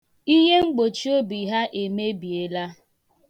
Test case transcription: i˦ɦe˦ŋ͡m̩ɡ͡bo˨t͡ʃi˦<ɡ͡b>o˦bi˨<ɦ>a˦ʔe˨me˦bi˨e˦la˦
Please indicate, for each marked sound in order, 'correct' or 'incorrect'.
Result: incorrect: none, correct

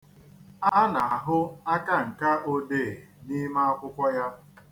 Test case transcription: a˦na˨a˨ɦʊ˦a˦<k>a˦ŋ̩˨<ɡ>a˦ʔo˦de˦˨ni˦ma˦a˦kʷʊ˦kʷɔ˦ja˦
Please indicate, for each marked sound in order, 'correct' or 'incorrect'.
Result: correct, incorrect: k

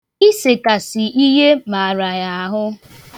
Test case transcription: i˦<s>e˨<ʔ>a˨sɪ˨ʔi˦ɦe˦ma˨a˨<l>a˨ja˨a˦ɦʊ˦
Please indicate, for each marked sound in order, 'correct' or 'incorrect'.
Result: correct, incorrect: k, incorrect: ɾ

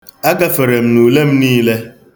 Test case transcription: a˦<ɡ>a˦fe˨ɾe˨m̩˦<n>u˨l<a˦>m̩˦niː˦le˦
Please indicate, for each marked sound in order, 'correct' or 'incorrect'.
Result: correct, correct, incorrect: e˦

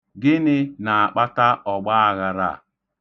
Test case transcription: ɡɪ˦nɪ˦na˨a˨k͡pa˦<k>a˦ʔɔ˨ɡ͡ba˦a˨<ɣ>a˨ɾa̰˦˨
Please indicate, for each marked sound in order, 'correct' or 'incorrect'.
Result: incorrect: t, correct

